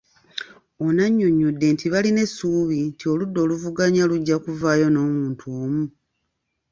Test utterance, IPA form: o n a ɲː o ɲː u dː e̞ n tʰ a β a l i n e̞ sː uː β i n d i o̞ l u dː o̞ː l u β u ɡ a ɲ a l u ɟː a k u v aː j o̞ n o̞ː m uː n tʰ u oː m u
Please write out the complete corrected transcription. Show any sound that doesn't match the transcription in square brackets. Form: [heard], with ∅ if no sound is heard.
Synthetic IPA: o n a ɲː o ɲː u dː e̞ n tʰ [i] β a l i n e̞ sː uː β i n [t] i o̞ l u dː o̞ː l u [v] u ɡ a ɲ a l u ɟː a k u v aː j o̞ n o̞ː m uː n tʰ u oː m u